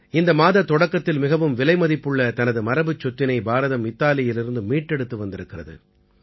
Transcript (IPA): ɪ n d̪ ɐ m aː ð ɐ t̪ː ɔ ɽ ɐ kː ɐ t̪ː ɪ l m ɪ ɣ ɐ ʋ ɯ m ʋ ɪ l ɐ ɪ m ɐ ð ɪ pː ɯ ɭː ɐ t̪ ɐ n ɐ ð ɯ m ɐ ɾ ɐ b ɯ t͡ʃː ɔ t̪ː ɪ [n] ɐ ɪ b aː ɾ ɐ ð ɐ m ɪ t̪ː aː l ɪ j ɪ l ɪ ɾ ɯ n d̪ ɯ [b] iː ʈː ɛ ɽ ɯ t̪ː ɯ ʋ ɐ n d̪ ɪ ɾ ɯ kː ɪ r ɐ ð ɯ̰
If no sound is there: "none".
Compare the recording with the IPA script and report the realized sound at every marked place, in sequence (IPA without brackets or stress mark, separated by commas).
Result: n, m